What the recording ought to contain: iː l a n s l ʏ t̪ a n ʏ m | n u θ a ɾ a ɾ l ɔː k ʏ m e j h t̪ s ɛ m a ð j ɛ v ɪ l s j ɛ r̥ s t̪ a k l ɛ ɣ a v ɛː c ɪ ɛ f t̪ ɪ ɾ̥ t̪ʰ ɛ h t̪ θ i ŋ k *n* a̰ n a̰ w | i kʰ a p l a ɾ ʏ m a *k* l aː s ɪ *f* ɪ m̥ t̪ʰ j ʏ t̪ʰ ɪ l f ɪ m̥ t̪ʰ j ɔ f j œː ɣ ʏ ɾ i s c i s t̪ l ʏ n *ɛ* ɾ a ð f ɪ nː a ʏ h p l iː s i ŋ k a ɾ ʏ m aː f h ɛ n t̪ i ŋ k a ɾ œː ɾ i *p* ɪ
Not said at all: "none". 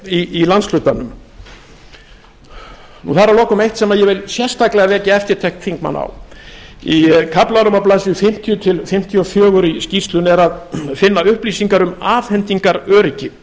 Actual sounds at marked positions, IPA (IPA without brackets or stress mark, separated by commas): m, p, f, ɛ, c